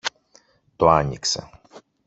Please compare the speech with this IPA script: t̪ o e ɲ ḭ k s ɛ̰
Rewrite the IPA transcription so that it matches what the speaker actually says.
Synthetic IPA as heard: t̪ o a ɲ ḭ k s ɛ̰